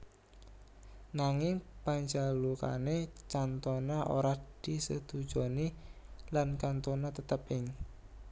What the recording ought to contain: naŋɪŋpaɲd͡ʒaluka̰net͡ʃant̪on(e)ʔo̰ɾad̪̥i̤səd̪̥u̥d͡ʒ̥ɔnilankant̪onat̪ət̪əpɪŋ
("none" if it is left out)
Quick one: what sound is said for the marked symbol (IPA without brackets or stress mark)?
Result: a